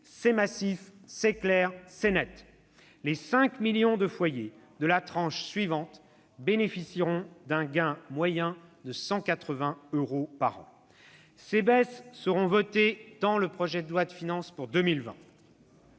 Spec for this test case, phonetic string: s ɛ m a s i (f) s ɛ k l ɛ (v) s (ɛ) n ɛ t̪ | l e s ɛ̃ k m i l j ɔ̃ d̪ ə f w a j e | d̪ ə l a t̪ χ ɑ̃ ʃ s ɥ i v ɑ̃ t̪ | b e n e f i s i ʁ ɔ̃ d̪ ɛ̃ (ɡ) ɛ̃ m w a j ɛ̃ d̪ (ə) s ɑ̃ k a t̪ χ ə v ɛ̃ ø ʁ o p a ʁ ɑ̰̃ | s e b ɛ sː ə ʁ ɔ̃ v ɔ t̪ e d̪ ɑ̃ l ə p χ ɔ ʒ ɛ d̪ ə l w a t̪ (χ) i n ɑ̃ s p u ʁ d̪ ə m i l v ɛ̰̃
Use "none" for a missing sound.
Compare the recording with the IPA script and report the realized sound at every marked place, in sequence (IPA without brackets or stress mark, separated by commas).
f, ʁ, ɛ, ɡ, ə, f